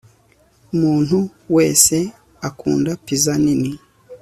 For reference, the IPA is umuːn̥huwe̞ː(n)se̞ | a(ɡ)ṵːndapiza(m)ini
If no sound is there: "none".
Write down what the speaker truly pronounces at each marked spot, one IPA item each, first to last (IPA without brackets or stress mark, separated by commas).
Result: none, k, n